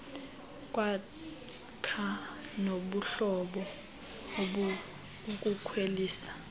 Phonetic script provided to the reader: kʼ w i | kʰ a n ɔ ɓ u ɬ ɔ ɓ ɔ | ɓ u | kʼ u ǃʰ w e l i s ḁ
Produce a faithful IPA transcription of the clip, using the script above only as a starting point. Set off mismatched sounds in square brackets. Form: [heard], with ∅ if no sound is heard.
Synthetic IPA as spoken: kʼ w [a] | kʰ a n [o] ɓ u ɬ ɔ ɓ ɔ | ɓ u | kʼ u [kʰ] w e l [iː] s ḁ